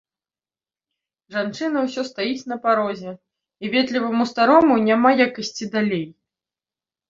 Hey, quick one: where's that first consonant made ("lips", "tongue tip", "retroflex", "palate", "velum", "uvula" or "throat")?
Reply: retroflex